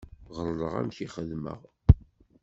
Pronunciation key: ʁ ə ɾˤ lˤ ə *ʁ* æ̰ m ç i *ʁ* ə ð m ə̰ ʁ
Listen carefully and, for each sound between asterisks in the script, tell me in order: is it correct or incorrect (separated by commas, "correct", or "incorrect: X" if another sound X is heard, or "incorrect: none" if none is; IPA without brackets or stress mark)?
correct, incorrect: χ